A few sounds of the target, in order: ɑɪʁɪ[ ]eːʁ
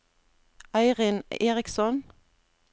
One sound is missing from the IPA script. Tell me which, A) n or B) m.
A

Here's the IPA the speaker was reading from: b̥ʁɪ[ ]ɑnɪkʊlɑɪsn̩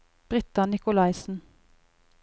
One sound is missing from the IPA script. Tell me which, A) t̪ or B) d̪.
A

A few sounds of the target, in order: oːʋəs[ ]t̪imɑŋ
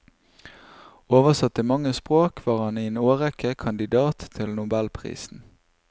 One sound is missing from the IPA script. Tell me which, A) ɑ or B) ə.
A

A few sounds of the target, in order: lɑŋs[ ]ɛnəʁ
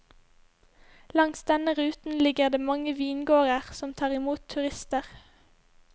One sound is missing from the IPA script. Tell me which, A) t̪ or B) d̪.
B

